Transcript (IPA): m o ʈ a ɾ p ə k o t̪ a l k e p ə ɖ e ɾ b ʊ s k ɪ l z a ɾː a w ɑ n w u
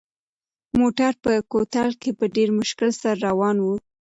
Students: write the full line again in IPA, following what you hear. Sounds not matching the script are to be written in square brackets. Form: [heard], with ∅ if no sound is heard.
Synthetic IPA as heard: m o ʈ a ɾ p ə k o t̪ a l k e p ə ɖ e ɾ [m] ʊ [ʃ] k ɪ l [s] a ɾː a w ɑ n w u